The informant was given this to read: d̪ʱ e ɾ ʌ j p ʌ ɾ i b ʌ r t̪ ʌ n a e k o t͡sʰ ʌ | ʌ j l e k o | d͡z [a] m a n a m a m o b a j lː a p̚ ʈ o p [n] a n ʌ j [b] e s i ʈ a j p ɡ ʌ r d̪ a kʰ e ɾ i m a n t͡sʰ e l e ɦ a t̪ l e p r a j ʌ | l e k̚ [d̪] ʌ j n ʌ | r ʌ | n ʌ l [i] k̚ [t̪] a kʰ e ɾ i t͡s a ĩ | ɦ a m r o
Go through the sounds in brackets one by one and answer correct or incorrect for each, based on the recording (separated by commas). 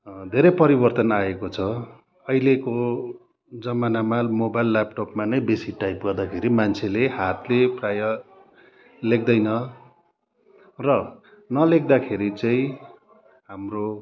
incorrect, incorrect, correct, correct, incorrect, incorrect